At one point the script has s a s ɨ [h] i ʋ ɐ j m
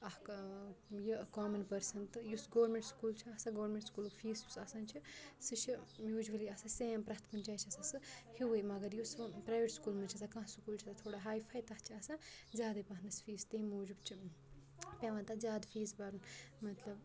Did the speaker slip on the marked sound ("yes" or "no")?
no